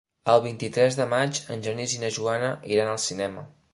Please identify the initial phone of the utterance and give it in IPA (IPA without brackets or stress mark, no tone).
ə